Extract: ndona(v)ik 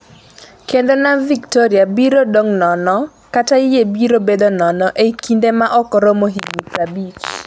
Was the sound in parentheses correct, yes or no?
yes